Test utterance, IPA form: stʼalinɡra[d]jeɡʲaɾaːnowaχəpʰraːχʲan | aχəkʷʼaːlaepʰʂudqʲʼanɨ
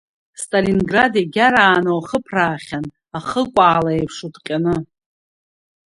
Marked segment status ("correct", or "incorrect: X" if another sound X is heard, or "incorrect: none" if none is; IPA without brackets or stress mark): correct